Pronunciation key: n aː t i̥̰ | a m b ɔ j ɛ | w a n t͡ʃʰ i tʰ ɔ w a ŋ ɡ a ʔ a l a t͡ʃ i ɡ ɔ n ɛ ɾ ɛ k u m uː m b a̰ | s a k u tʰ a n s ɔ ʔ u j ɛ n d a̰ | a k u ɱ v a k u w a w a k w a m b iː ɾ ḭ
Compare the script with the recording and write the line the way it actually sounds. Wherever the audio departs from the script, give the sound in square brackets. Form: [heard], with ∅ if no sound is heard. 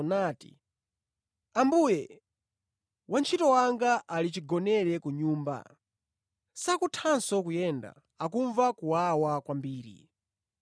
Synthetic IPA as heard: n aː t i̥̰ | a m b [u] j ɛ | w a n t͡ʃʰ i [t] ɔ w a ŋ ɡ a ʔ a l [i] t͡ʃ i ɡ ɔ n ɛ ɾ ɛ k u [ɲ] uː m b a̰ | s a k u tʰ a n s ɔ [k] u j ɛ n d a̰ | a k u ɱ v a k u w a w a k w a m b iː ɾ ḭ